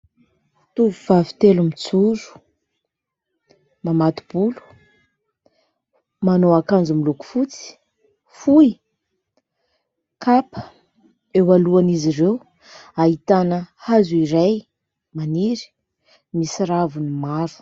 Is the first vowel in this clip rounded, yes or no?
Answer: yes